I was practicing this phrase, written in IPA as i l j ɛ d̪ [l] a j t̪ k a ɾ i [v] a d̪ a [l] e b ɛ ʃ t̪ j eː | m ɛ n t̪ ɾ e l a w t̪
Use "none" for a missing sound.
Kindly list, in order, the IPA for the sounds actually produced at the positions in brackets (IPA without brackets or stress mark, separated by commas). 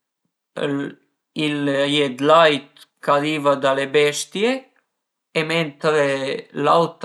l, v, l